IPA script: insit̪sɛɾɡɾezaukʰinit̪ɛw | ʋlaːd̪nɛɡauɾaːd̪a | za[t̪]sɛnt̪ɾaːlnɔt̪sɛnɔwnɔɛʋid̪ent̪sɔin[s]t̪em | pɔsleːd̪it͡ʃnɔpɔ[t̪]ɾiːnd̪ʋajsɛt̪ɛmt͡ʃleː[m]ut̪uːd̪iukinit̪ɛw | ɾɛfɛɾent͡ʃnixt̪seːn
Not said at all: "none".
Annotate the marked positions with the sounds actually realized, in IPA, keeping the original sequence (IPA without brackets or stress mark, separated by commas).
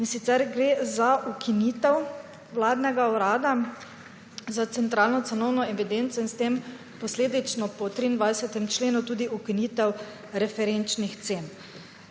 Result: t̪, s, t̪, n